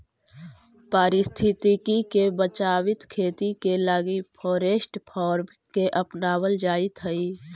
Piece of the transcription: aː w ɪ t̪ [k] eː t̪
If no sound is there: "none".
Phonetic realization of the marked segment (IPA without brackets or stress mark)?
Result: kʰ